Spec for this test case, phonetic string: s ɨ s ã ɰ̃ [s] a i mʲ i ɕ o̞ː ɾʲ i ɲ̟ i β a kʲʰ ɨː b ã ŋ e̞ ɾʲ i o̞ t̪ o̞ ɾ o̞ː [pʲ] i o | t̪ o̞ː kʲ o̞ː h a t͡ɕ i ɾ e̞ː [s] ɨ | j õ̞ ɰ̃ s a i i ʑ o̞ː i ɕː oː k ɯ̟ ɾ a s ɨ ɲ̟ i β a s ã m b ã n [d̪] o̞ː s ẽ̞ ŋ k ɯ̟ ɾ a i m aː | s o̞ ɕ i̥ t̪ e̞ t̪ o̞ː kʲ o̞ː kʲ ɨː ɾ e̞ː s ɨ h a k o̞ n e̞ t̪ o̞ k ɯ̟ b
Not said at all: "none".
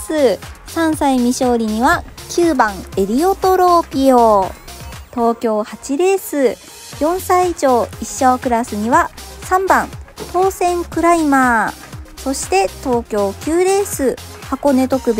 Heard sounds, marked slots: s, pʲ, s, t̪

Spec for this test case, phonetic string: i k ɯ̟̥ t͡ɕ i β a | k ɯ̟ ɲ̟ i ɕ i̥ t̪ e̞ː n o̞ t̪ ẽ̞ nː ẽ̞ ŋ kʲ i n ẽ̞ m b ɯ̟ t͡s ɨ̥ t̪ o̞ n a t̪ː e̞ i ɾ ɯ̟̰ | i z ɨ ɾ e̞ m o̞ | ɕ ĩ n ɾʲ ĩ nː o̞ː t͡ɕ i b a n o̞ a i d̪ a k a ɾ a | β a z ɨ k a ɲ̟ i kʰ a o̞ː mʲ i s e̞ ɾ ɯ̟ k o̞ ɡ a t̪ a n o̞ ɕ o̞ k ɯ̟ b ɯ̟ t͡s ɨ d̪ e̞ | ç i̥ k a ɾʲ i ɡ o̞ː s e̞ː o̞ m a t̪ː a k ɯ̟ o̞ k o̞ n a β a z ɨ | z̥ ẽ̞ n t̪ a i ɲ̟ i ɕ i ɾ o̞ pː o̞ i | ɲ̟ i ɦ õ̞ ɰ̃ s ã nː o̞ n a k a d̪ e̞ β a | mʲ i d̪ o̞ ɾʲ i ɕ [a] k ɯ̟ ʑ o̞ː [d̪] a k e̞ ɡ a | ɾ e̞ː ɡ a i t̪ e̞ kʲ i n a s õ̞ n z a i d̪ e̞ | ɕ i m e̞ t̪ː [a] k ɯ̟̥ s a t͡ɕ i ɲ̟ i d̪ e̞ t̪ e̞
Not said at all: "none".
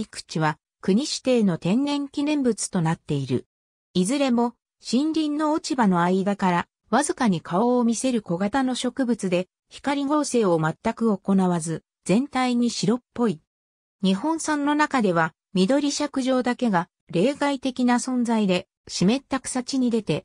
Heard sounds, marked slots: a, d̪, a

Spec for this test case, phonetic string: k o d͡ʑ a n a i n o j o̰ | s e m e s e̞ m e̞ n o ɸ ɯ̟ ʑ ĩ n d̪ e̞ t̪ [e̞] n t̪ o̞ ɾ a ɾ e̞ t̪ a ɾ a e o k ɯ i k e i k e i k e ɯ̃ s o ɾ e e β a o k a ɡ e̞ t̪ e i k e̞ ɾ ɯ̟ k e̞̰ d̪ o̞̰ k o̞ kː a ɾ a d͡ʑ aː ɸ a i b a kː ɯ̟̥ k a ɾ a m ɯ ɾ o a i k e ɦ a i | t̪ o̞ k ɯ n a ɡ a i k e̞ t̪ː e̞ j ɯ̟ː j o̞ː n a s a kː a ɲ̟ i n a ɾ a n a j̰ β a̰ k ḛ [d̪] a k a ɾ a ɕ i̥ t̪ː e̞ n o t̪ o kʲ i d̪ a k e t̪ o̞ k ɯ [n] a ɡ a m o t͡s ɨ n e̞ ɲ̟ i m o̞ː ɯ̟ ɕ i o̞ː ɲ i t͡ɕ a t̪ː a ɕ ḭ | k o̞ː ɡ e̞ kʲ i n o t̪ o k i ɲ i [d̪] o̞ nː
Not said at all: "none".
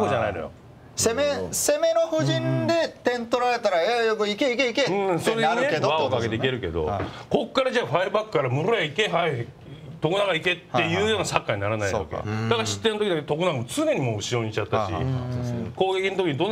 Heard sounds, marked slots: ẽ̞, d̪, n, d̪

